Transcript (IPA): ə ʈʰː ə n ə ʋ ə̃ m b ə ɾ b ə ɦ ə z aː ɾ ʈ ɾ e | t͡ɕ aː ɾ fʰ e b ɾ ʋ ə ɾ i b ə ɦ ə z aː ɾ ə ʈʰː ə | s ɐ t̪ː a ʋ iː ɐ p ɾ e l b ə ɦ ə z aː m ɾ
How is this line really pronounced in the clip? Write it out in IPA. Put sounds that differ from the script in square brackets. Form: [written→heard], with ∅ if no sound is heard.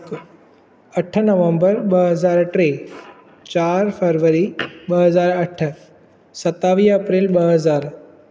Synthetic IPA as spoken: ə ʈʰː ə n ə ʋ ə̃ m b ə ɾ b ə ɦ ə z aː ɾ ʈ ɾ e | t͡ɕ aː ɾ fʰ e [b→∅] ɾ ʋ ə ɾ i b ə ɦ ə z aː ɾ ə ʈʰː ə | s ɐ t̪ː a ʋ iː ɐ p ɾ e l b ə ɦ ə z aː [m→∅] ɾ